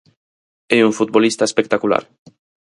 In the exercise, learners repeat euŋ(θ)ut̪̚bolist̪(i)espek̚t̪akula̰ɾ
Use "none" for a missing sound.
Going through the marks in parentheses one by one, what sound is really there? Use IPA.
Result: f, a

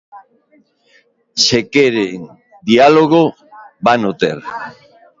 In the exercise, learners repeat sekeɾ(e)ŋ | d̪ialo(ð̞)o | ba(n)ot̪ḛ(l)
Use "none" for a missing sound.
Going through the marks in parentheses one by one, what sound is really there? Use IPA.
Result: e, ɣ̞, n, ɾ

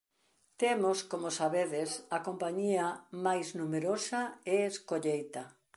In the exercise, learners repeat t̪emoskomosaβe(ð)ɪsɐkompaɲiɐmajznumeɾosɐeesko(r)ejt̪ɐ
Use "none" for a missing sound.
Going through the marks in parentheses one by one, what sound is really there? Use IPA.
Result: ð, ʎ

